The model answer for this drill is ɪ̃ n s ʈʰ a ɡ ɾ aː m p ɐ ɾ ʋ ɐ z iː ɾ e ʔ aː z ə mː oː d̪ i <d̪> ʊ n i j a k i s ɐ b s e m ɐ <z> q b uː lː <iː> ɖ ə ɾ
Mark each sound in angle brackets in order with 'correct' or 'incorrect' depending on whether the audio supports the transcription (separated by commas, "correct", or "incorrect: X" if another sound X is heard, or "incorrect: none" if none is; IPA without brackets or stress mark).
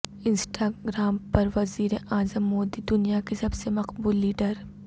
correct, incorrect: none, correct